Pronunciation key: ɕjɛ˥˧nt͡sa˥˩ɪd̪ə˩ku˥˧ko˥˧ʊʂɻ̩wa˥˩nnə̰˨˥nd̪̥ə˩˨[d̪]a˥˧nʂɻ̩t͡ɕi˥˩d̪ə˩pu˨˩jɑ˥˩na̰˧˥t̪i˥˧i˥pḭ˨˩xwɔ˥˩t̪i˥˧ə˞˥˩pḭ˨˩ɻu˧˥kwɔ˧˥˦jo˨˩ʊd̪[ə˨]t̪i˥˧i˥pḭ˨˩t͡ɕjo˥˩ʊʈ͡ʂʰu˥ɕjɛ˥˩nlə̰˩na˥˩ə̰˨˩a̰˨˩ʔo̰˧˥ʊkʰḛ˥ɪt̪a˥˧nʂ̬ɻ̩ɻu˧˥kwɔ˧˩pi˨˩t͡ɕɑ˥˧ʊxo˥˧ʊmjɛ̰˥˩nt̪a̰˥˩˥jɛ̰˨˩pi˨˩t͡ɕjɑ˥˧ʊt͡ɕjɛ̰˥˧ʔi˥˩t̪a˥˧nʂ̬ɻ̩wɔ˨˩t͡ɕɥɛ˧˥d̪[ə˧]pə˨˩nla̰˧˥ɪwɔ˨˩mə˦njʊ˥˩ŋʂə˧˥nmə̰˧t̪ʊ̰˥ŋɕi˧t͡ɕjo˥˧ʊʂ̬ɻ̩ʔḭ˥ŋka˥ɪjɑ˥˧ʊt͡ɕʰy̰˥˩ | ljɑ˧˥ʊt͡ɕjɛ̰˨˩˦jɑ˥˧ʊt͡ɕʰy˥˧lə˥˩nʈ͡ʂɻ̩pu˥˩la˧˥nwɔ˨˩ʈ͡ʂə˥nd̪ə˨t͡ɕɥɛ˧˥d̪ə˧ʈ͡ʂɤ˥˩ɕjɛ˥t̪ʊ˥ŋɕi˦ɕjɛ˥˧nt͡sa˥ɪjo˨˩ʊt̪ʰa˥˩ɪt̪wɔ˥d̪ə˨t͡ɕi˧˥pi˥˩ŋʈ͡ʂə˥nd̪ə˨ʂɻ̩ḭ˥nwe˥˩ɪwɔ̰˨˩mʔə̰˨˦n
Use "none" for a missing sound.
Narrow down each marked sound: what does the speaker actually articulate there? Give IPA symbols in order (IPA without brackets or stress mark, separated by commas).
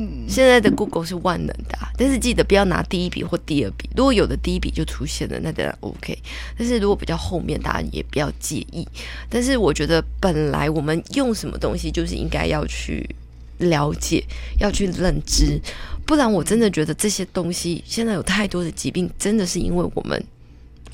t̪, ə˦, ə˧